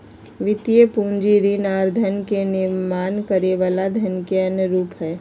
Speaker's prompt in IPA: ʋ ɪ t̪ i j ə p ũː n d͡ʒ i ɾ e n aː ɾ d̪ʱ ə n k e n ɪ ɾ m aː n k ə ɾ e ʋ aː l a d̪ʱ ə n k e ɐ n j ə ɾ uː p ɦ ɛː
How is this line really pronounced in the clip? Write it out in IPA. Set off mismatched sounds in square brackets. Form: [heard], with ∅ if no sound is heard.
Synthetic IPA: ʋ ɪ t̪ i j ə p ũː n d͡ʒ i ɾ [i] n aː ɾ d̪ʱ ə n k e n ɪ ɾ m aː n k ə ɾ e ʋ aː l a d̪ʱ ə n k e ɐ n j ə ɾ uː p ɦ ɛː